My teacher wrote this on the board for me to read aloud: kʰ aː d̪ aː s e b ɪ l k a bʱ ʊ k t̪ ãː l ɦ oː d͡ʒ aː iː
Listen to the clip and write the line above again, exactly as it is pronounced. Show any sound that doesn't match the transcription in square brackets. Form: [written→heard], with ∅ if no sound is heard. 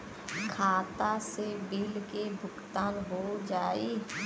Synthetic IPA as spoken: kʰ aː [d̪→t̪] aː s e b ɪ l k [a→e] bʱ ʊ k t̪ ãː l ɦ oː d͡ʒ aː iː